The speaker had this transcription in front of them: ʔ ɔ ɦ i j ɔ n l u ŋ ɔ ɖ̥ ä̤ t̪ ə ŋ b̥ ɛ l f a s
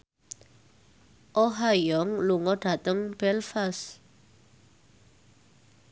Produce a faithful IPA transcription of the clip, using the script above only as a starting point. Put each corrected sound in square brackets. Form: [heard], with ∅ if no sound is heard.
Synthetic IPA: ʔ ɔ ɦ [a] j ɔ [ŋ] l u ŋ ɔ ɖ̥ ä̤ t̪ ə ŋ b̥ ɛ l f a s